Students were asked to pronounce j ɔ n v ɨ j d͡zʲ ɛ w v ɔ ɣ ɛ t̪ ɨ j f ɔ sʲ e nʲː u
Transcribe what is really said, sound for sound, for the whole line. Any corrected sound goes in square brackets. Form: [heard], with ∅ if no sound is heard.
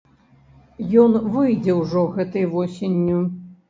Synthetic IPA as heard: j ɔ n v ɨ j d͡zʲ ɛ w [ʐ] ɔ ɣ ɛ t̪ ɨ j [v] ɔ sʲ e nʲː u